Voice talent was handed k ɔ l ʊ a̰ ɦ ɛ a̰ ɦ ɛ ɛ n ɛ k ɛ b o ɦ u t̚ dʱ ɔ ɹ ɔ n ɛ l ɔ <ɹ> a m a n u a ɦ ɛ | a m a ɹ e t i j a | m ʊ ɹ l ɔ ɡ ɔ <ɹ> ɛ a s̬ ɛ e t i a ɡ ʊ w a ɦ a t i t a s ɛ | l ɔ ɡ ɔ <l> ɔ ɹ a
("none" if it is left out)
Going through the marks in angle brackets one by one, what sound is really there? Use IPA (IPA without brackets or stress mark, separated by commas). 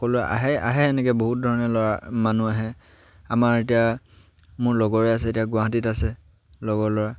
ɹ, ɹ, l